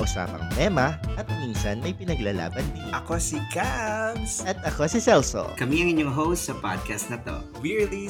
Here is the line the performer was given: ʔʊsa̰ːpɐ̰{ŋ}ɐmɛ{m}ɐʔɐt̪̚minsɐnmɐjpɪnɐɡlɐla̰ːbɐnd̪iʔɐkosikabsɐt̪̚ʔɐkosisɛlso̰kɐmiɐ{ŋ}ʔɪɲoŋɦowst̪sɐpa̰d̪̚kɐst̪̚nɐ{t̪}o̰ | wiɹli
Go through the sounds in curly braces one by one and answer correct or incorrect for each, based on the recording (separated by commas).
correct, correct, correct, correct